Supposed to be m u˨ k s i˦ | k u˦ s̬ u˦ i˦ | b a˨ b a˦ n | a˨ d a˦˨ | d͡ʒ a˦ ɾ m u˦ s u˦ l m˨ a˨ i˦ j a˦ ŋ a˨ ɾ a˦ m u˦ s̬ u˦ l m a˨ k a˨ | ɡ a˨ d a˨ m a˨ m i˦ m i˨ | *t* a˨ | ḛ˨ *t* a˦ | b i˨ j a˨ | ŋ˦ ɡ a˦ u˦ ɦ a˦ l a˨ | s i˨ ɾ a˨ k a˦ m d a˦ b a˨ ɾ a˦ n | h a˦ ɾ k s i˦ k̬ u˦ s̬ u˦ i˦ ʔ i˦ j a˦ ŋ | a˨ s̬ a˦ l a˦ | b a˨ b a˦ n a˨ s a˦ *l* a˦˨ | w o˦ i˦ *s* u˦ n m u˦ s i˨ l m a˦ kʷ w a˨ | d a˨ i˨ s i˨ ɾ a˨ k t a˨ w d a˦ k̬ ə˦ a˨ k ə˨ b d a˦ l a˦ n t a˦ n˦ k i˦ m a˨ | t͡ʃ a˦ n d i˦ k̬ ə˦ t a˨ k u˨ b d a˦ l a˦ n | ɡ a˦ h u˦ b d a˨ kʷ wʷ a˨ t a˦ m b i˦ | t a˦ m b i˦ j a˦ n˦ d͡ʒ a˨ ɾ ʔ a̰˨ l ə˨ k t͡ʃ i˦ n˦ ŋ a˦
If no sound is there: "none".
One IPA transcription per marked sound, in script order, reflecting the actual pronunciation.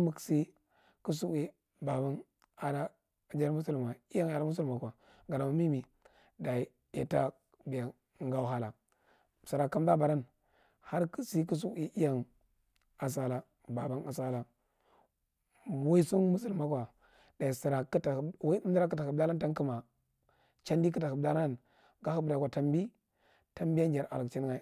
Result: d, t, l, s

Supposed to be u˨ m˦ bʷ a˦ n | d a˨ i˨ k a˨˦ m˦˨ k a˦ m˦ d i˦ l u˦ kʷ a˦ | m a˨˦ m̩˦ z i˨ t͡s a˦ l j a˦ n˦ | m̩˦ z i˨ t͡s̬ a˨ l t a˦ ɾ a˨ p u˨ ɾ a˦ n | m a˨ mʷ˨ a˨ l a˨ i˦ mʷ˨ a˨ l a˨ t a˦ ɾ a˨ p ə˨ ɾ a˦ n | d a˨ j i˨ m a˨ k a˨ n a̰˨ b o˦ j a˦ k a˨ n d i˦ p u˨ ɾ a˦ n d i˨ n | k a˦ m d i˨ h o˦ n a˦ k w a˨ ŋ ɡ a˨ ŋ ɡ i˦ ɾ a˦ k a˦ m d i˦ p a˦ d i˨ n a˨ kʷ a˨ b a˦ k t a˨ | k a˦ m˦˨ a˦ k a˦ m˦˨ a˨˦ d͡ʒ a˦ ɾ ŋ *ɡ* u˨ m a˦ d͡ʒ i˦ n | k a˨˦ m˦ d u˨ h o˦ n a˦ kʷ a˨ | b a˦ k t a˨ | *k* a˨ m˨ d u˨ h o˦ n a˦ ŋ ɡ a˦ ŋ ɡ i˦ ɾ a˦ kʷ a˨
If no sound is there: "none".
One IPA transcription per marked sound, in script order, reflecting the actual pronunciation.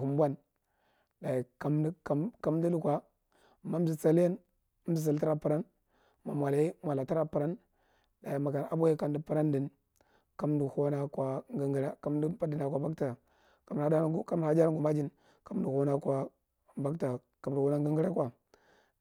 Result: ɡ, k

